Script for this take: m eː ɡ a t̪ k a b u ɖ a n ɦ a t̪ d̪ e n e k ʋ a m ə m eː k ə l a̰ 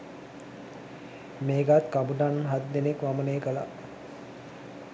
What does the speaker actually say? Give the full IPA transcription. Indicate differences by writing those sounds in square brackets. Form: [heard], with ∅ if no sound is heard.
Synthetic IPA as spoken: m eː ɡ a t̪ k a b u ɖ a n ɦ a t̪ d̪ e n e k ʋ a m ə [n] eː k ə l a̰